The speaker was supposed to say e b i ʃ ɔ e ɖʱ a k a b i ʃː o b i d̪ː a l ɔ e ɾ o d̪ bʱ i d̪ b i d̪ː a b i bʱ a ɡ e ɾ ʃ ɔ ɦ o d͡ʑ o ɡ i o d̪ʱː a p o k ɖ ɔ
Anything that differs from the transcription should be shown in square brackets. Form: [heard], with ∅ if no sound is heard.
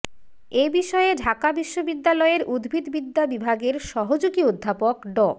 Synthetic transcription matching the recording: e b i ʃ ɔ e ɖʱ a k a b i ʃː o b i d̪ː a l ɔ e ɾ [u] d̪ bʱ i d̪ b i d̪ː a b i bʱ a ɡ e ɾ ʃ ɔ ɦ o d͡ʑ o ɡ i o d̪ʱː a p o k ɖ ɔ